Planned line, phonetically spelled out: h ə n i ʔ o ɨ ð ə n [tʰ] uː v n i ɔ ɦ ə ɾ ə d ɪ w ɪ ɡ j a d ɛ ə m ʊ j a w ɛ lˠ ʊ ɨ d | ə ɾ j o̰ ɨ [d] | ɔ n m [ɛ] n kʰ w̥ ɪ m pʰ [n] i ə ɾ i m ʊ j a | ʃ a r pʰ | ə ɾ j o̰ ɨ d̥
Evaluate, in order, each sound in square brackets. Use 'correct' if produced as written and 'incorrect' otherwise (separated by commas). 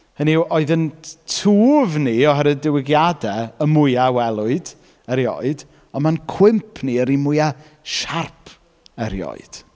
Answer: correct, correct, incorrect, correct